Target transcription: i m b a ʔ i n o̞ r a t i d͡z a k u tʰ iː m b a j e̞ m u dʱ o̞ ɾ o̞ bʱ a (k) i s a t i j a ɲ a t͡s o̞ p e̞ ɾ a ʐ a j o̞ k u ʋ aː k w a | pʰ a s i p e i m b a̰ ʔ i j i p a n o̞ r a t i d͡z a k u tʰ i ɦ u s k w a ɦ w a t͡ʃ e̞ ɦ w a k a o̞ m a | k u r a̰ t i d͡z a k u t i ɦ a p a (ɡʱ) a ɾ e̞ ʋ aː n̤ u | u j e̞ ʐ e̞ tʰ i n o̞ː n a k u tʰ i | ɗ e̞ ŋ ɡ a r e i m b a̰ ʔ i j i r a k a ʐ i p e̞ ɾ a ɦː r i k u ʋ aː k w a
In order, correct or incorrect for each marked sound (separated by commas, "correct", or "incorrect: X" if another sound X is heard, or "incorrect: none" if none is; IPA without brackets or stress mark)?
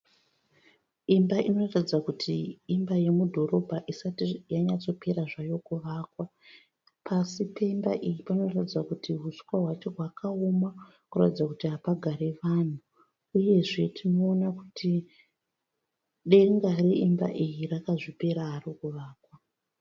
incorrect: ʔ, correct